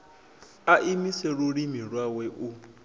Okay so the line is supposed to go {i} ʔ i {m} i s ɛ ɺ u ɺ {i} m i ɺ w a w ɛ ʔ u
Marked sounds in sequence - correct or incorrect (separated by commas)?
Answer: incorrect, correct, correct